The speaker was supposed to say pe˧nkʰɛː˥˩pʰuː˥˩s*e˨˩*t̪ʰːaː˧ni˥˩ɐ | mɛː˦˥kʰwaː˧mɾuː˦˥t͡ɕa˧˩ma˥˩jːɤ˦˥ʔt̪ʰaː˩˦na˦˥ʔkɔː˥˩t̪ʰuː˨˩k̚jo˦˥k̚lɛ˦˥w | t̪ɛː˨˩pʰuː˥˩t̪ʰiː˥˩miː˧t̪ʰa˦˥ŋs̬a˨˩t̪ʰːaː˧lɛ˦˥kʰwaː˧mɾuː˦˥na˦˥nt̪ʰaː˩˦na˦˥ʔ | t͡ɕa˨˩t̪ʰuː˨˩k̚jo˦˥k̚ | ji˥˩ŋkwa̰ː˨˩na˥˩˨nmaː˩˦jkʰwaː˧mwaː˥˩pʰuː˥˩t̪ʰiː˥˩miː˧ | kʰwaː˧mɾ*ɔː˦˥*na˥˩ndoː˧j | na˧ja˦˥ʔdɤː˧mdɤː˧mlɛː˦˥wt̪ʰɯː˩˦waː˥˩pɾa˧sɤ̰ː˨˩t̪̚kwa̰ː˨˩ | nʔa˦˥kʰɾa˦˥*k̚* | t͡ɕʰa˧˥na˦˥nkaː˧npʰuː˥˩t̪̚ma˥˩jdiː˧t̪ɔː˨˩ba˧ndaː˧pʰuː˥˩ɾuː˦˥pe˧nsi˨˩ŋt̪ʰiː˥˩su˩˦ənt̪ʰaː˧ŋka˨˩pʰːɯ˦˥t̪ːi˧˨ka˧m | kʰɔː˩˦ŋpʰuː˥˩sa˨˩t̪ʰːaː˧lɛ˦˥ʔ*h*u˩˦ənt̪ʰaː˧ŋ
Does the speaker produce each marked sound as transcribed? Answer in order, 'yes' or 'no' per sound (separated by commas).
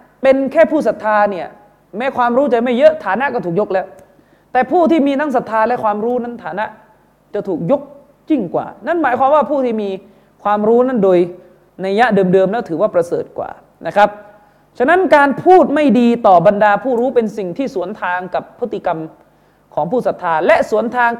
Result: no, no, no, no